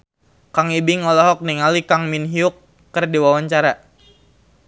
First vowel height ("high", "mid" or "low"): low